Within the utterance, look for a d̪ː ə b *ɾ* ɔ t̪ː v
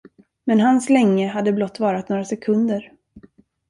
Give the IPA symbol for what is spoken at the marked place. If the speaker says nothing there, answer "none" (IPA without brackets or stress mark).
l